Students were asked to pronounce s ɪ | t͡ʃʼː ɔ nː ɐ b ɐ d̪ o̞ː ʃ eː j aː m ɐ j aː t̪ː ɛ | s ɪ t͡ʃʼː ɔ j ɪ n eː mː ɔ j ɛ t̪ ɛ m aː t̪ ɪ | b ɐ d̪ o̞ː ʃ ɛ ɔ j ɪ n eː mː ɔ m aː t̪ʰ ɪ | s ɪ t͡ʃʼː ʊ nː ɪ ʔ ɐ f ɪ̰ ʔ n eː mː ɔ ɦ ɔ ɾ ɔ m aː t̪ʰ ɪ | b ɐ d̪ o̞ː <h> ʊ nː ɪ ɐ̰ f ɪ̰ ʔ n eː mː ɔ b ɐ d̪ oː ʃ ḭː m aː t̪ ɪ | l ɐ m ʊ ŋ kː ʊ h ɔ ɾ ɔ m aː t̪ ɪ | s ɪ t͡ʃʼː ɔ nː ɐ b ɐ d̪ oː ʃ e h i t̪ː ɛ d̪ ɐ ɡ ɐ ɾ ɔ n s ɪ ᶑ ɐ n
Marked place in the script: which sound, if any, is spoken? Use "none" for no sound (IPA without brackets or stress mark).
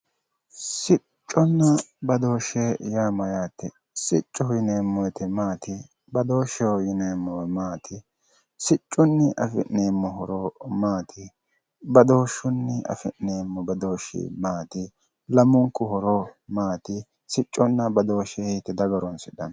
ʃ